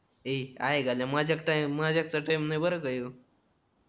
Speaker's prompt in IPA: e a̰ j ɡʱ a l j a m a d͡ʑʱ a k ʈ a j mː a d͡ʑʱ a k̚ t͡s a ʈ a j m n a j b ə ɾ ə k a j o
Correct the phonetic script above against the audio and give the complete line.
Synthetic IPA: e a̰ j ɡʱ a l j a m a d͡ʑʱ a k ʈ a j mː a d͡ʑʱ a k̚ t͡s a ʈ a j m n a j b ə ɾ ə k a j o

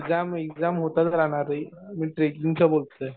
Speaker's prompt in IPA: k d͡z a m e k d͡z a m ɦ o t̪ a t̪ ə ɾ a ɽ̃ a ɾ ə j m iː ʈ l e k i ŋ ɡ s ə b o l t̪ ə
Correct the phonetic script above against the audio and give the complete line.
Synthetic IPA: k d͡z a m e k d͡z a m ɦ o t̪ a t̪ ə ɾ a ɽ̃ a ɾ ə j m iː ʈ ɾ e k i ŋ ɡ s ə b o l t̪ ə

